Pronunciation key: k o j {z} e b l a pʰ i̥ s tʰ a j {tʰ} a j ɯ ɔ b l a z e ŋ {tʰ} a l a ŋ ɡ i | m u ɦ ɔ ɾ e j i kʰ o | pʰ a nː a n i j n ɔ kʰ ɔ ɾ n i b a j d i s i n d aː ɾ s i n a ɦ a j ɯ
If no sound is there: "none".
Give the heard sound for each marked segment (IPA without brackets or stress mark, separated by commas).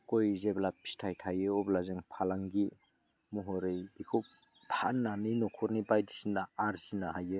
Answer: z, tʰ, pʰ